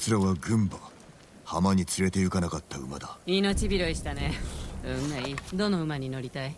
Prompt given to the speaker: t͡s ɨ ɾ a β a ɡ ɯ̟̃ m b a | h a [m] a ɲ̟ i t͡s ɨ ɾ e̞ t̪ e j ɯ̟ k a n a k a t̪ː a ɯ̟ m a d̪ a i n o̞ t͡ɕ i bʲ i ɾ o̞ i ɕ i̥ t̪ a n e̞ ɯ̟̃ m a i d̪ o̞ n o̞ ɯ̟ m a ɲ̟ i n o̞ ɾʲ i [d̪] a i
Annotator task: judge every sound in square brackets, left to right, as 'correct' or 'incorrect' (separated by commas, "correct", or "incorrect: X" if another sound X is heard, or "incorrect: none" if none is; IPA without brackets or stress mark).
correct, incorrect: t̪